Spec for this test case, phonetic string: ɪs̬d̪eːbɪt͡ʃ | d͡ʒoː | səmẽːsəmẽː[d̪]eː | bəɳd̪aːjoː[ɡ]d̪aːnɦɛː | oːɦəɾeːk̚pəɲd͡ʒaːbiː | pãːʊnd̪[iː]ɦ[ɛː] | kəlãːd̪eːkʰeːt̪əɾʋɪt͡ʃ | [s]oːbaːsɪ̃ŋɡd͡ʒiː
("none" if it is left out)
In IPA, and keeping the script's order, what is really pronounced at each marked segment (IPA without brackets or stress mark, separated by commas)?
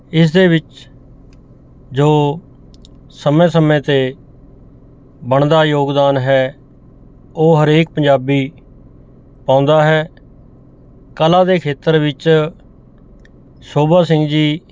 t̪, ɡ, aː, ɛː, s